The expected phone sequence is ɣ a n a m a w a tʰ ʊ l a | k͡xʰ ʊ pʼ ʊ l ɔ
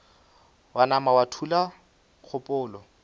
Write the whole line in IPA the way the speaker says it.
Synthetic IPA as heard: w a n a m a w a tʰ u l a | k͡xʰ ʊ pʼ ʊː l ɔ